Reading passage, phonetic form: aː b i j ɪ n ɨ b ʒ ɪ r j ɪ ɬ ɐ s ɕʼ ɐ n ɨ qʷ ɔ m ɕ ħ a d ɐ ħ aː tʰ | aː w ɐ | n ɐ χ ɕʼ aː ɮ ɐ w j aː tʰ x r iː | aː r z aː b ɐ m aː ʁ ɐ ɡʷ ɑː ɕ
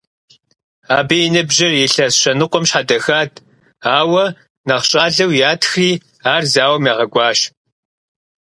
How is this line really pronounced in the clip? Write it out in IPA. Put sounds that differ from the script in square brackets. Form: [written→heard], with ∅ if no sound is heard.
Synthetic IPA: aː b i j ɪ n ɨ b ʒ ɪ r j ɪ ɬ ɐ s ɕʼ ɐ n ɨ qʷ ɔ m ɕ ħ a d ɐ [ħ→x] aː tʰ | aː w ɐ | n ɐ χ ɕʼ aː ɮ ɐ w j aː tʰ x r iː | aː r z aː [b→w] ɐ m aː ʁ ɐ ɡʷ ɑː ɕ